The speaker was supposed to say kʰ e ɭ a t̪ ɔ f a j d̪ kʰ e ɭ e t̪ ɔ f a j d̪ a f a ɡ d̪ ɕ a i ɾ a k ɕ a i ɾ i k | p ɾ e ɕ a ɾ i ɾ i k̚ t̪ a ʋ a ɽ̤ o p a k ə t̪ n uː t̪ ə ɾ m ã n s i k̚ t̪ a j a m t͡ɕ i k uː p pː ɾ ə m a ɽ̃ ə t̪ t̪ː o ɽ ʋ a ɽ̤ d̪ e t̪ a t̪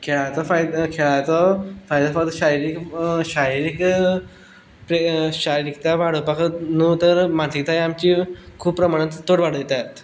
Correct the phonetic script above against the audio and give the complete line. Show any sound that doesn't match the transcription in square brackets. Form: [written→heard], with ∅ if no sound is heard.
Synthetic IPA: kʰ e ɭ a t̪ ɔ f a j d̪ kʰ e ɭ [e→a] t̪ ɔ f a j d̪ a f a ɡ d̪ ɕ a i ɾ [a→i] k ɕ a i ɾ i k | p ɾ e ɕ a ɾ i ɾ i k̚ t̪ a ʋ a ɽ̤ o p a k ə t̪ n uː t̪ ə ɾ m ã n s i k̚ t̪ a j a m t͡ɕ i [k→kʰ] uː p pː ɾ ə m a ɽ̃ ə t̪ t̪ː o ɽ ʋ a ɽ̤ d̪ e t̪ a t̪